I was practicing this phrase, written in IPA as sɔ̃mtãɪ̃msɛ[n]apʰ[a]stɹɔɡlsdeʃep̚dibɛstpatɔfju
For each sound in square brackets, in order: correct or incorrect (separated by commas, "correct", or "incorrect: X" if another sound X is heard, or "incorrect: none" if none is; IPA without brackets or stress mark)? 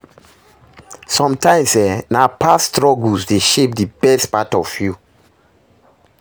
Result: correct, correct